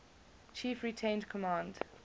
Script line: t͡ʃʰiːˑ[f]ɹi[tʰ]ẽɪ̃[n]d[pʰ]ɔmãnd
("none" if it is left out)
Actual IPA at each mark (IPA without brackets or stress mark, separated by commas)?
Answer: f, tʰ, n, kʰ